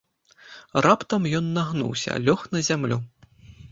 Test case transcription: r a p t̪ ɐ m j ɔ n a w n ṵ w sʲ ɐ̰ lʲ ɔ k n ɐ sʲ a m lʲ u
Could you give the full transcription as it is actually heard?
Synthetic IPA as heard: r a p t̪ ɐ m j ɔ nː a ɣ n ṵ w sʲ ɐ̰ lʲ ɔ x n ɐ zʲ a m lʲ u